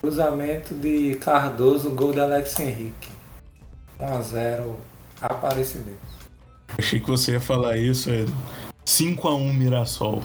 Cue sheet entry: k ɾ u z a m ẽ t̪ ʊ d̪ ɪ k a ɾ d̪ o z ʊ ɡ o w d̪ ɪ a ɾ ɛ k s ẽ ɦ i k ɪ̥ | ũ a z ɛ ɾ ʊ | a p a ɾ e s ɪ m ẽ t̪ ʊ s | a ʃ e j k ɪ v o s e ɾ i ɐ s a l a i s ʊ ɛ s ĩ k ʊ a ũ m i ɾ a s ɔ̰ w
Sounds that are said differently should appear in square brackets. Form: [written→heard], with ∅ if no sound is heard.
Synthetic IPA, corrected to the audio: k ɾ u z a m ẽ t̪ ʊ d̪ ɪ k a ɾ d̪ o z ʊ ɡ o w d̪ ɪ a [ɾ→l] ɛ k s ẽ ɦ i k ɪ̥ | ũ a z ɛ ɾ ʊ | a p a ɾ e s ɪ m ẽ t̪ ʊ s | a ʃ e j k ɪ v o s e [ɾ→∅] i ɐ [s→f] a l a i s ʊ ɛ s ĩ k ʊ a ũ m i ɾ a s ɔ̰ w